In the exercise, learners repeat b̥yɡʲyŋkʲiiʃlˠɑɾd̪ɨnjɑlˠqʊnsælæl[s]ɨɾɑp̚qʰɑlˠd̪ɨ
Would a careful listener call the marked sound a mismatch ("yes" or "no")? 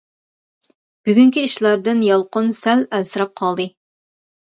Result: no